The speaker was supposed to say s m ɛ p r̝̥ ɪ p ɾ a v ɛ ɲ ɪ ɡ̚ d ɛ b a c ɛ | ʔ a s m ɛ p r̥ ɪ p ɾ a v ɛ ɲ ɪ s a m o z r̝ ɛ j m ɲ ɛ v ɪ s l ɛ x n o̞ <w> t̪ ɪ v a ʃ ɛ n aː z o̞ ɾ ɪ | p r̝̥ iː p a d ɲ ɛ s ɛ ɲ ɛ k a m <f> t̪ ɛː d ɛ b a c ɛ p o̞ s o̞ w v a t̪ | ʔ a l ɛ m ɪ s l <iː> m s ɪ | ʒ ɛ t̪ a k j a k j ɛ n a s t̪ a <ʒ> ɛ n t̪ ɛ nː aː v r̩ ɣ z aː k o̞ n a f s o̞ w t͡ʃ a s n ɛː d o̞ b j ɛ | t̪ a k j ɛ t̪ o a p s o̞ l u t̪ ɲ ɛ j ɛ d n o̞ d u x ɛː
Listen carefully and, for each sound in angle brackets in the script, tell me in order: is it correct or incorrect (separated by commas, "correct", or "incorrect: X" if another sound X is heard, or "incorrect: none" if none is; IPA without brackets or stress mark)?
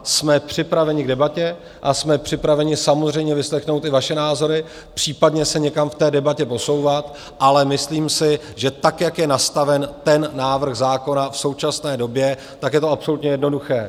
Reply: correct, correct, correct, incorrect: v